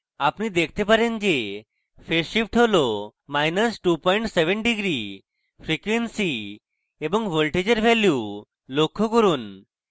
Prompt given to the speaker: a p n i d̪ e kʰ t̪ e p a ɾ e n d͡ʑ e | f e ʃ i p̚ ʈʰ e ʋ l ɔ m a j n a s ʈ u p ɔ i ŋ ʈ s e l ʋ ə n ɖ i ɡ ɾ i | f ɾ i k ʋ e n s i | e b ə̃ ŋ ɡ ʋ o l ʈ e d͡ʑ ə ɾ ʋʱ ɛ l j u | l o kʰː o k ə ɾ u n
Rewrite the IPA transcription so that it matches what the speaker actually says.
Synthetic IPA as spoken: a p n i d̪ e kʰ t̪ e p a ɾ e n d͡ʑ e | f e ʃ i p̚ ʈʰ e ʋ l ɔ m a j n ə s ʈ u p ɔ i ɳ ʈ s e ʋ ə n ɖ i ɡ ɾ i | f ɾ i k ʋ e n s i | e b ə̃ ŋ ɡ ʋ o l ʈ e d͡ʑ ə ɾ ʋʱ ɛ l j u | l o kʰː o k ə ɾ uː n